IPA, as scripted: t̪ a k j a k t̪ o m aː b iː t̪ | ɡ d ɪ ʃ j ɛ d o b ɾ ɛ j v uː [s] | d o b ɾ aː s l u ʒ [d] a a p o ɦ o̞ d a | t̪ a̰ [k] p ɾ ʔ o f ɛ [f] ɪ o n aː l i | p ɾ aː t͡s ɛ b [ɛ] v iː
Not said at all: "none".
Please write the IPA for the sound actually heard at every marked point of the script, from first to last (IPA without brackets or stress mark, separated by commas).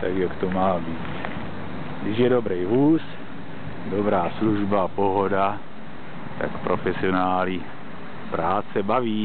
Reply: s, b, k, s, a